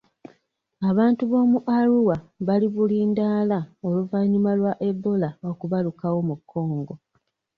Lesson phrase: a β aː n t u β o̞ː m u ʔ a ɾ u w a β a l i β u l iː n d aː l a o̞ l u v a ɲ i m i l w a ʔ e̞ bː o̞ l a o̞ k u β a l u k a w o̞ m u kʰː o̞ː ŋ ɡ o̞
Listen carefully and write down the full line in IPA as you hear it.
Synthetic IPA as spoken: a β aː n t u β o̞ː m u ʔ a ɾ u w a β a l i β u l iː n d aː l a o̞ l u v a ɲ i m a l w a ʔ e̞ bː o̞ l a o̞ k u β a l u k a w o̞ m u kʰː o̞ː ŋ ɡ o̞